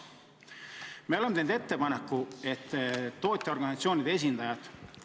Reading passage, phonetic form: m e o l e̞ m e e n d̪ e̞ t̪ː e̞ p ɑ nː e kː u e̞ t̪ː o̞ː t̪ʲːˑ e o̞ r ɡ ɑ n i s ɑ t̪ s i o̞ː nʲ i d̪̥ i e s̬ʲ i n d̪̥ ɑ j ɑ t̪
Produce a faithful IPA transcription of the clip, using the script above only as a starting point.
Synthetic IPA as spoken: m e o l e̞ m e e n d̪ e̞ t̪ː e̞ p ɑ n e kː u e̞ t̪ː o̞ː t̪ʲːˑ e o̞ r ɡ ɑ n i s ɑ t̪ s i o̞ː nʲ i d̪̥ e e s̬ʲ i n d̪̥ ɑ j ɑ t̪